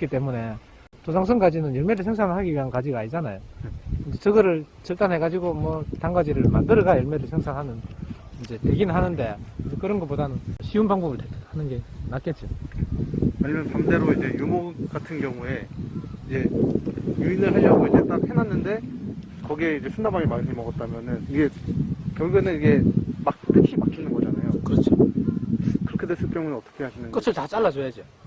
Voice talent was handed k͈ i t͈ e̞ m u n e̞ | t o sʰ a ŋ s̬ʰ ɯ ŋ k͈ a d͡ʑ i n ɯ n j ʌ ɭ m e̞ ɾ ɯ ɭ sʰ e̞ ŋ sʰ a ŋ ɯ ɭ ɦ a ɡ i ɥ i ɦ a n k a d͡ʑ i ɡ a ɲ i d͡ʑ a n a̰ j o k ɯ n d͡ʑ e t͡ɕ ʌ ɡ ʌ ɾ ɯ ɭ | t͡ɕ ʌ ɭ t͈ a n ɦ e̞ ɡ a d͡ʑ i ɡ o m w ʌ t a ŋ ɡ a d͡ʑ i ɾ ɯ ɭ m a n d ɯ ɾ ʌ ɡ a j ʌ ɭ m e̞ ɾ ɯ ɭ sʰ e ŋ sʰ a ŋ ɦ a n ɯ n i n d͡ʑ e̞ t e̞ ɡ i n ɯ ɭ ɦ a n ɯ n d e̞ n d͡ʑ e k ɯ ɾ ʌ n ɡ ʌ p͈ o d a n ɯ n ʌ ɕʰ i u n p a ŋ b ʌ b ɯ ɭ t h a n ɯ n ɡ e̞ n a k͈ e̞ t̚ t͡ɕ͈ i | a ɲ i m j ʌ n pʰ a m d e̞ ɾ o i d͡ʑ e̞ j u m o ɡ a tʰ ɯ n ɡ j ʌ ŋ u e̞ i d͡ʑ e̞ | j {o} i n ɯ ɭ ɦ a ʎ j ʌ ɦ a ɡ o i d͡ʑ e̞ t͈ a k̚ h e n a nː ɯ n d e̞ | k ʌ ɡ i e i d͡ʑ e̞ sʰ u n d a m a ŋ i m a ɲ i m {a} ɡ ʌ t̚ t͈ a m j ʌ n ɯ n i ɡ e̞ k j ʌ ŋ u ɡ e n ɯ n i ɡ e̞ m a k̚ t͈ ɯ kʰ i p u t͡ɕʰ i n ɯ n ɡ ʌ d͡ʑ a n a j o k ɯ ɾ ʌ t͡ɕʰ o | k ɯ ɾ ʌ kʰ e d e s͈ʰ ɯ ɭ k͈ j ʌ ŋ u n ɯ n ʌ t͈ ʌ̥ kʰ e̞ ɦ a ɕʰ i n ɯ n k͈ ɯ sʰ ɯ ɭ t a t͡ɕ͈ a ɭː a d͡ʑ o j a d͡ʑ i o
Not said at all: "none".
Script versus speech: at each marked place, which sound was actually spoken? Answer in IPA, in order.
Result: u, ʌ

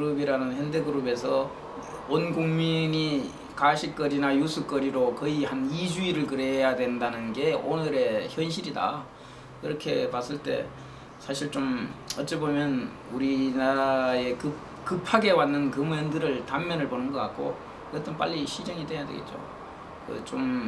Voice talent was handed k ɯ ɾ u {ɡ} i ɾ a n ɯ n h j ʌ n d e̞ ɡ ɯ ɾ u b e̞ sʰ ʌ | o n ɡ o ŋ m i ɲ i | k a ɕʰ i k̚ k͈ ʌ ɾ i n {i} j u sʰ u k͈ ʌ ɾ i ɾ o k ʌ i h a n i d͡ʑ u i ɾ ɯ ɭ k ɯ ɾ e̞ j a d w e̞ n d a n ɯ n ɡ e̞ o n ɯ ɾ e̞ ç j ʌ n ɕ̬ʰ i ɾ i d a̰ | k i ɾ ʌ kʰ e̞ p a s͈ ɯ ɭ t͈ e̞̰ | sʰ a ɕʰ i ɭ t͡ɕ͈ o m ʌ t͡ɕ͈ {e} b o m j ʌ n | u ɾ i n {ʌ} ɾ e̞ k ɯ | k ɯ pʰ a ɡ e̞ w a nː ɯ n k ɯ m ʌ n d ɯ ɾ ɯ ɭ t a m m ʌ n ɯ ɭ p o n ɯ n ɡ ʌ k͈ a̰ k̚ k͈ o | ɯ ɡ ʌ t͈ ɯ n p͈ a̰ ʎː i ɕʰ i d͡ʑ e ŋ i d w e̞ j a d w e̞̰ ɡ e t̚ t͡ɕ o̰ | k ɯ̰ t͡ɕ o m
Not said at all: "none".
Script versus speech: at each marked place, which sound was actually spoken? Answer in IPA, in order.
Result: b, a, e, a

